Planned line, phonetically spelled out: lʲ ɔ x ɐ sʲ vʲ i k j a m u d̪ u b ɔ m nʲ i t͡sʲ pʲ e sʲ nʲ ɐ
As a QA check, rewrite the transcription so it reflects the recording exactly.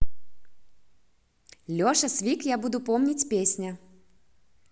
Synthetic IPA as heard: lʲ ɔ ʂ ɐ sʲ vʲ i k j a b u d̪ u p ɔ m nʲ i t͡sʲ pʲ e sʲ nʲ ɐ

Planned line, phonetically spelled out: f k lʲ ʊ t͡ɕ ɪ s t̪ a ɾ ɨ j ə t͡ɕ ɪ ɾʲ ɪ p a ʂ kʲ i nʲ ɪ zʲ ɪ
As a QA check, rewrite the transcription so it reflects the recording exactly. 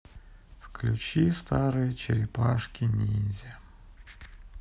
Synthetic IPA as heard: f k lʲ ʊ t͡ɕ i s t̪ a ɾ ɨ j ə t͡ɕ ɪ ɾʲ ɪ p a ʂ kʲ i nʲ i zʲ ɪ

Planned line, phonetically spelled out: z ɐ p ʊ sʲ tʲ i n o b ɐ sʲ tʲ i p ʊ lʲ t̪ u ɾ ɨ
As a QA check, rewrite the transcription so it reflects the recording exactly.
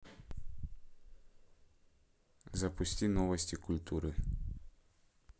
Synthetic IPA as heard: z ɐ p ʊ sʲ tʲ i n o v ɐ sʲ tʲ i k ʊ lʲ t̪ u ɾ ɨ

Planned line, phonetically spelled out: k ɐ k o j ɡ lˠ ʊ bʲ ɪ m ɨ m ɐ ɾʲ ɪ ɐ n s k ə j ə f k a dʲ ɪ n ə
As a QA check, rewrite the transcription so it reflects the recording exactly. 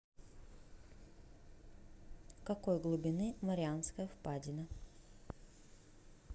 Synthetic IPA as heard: k ɐ k o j ɡ lˠ ʊ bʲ ɪ n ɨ m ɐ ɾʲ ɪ a n s k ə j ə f p a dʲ ɪ n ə

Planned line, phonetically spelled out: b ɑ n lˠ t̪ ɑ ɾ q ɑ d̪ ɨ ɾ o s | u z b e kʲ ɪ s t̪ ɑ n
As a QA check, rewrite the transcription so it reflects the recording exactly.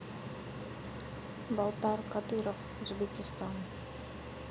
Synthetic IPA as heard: b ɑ lˠ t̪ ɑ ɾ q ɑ d̪ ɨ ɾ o f | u z b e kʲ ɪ s t̪ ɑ n

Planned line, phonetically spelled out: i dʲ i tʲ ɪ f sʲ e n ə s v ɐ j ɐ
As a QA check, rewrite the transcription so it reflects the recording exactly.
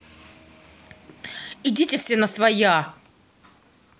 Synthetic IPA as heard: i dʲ i tʲ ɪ f sʲ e n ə s v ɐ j a

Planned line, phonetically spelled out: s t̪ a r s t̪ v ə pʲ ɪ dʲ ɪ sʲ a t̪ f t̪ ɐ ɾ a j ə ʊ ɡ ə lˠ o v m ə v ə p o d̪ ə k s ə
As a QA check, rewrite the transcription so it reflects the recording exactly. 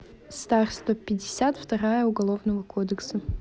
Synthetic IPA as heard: s t̪ a r s t̪ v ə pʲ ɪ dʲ ɪ sʲ a t̪ f t̪ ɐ ɾ a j ə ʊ ɡ ɐ lˠ o v n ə v ə k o d̪ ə k s ə

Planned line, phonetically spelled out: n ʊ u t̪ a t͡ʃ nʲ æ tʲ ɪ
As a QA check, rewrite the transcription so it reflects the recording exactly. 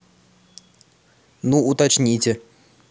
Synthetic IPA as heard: n u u t̪ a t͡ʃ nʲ i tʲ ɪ

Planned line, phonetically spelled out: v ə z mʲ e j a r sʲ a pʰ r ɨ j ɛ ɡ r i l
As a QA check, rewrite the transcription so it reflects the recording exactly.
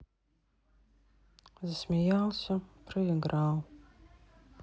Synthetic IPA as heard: z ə s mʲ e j a l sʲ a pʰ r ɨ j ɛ ɡ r a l

